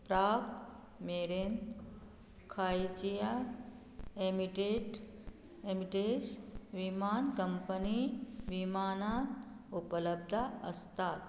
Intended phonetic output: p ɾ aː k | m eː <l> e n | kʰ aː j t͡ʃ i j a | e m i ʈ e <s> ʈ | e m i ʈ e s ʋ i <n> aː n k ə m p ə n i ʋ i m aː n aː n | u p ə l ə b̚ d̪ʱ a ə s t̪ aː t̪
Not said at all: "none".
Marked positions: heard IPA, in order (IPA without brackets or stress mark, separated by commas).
ɾ, none, m